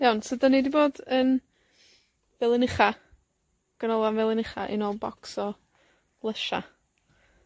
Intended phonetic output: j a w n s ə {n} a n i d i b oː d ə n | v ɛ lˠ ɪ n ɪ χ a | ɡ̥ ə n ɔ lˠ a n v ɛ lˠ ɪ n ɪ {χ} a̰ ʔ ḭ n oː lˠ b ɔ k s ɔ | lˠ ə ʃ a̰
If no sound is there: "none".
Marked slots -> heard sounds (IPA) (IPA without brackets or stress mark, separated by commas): d, χ